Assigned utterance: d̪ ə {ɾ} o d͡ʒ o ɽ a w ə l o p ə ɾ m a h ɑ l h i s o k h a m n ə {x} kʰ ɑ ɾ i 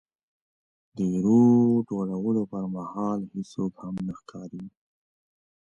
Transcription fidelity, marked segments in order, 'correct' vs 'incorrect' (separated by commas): correct, correct